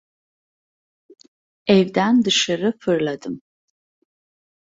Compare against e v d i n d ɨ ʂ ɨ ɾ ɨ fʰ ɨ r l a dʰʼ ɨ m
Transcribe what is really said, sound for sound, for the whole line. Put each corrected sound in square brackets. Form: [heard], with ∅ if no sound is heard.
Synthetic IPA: e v d [a] n d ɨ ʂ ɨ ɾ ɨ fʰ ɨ r l a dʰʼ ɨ m

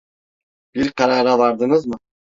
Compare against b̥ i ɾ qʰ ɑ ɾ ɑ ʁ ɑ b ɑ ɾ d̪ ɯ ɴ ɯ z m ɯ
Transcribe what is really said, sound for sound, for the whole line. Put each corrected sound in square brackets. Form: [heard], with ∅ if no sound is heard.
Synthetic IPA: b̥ i ɾ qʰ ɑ ɾ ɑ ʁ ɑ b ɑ ɾ d̪ ɯ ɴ ɯ z m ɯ

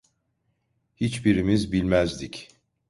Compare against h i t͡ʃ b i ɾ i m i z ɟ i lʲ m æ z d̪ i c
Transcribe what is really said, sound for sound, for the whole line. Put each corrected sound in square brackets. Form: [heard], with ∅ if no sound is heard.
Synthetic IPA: h i t͡ʃ b i ɾ i m i z [b] i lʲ m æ z d̪ i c

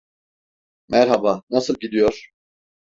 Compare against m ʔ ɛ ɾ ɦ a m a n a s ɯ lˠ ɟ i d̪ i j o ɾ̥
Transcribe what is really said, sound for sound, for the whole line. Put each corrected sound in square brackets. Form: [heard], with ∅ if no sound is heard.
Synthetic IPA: m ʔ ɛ ɾ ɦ a [b] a n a s ɯ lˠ ɟ i d̪ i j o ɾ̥

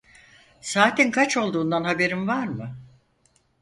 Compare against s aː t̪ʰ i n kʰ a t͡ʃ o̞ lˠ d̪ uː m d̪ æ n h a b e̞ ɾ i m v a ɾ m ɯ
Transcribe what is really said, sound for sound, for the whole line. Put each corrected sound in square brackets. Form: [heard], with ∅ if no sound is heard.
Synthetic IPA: s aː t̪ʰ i n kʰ a t͡ʃ o̞ lˠ d̪ uː [n] d̪ [a] n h a b e̞ ɾ i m v a ɾ m ɯ

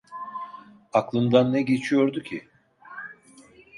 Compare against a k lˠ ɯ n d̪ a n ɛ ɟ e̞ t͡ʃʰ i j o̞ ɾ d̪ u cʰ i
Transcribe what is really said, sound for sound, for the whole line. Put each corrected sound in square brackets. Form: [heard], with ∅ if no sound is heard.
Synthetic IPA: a k lˠ ɯ n d̪ a [nː] ɛ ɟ e̞ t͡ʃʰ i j o̞ ɾ d̪ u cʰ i

